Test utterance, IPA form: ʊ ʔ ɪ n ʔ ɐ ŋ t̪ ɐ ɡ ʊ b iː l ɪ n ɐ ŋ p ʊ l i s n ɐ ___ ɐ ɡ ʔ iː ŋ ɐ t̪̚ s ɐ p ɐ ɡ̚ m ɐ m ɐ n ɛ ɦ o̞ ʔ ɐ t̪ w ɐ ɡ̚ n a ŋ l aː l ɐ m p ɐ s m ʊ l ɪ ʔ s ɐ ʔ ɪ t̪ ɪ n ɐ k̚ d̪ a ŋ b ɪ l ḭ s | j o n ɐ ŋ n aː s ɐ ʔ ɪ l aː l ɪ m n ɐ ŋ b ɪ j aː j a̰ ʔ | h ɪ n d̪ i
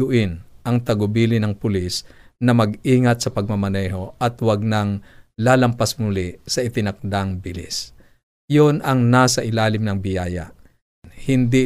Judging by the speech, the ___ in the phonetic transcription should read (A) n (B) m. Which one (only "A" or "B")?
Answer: B